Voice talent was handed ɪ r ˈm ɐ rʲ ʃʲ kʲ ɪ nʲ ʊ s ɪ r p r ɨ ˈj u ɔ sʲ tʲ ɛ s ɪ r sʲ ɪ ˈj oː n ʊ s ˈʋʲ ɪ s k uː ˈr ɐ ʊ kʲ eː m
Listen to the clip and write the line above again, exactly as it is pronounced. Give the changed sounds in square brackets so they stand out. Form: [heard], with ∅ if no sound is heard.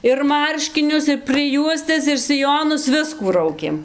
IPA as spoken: ɪ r ˈm ɐ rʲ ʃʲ kʲ ɪ nʲ ʊ s ɪ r p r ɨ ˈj u ɔ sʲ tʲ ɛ s ɪ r sʲ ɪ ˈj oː n ʊ s ˈʋʲ ɪ s k uː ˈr ɐ ʊ kʲ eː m